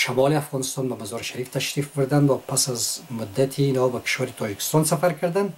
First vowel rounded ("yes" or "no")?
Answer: no